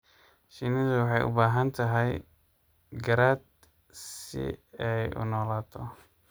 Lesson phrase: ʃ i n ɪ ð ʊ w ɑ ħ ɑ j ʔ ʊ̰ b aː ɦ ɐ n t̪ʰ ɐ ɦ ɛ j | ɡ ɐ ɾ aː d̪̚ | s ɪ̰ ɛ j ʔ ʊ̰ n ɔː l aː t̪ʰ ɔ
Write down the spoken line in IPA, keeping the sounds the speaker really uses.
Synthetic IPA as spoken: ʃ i n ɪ ð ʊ w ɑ ħ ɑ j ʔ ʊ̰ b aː ɦ ɐ n t̪ʰ ɐ ɦ ɛ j | ɡ ɐ ɾ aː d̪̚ | s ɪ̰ ɛ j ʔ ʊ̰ n ɔː l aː t̪ʰ ɔ